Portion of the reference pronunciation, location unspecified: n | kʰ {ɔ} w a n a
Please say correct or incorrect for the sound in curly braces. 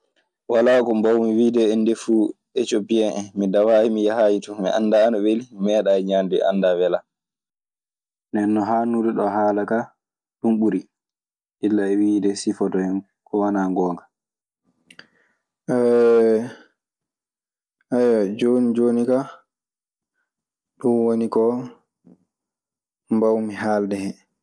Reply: correct